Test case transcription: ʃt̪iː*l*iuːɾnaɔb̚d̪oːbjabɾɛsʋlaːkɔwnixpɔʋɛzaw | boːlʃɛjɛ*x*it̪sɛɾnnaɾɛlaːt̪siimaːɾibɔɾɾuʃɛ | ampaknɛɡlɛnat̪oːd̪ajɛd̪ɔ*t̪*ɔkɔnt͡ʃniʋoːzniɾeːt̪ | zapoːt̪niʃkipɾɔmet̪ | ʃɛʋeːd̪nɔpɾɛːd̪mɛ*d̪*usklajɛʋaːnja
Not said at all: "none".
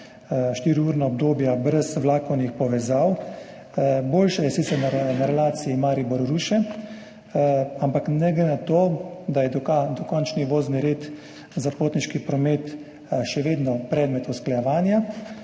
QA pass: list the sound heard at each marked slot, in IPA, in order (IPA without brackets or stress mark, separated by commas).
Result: ɾ, s, d̪, t̪